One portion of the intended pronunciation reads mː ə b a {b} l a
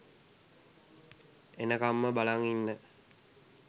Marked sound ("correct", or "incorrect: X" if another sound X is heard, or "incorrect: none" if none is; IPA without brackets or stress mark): incorrect: none